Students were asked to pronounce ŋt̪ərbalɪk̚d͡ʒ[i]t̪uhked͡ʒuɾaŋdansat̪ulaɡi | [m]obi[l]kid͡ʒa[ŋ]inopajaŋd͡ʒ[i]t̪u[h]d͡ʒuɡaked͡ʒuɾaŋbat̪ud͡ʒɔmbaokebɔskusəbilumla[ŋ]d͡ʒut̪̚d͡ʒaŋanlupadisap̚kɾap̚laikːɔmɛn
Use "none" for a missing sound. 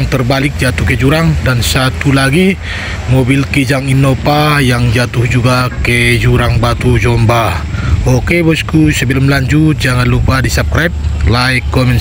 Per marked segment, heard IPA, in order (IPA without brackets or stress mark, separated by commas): a, m, l, ŋ, a, h, ɲ